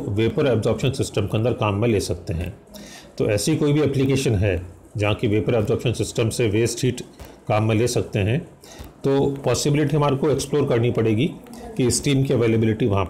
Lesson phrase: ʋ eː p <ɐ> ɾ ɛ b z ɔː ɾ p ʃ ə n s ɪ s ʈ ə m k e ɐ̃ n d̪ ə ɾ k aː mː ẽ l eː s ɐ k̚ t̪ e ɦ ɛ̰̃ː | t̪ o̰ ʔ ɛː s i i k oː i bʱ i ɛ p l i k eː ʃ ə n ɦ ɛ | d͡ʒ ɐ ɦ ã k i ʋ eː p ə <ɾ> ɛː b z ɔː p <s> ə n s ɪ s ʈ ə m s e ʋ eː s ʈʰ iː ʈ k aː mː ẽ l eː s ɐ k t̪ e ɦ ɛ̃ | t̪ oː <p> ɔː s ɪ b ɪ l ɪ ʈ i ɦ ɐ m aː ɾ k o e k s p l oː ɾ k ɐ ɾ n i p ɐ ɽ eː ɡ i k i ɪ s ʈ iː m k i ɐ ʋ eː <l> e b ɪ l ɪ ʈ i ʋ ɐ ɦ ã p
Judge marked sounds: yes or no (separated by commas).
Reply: no, yes, no, yes, yes